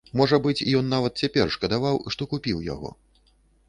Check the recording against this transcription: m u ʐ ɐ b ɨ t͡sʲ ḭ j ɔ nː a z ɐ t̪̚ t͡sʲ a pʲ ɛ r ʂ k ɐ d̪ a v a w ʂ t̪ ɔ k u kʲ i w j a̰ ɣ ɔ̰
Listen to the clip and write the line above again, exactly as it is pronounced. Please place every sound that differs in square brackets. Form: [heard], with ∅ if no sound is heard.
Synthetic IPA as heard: m [ɔ] ʐ ɐ b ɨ t͡sʲ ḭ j ɔ nː a [v] ɐ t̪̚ t͡sʲ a pʲ ɛ r ʂ k ɐ d̪ a v a w ʂ t̪ ɔ k u [pʲ] i w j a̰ ɣ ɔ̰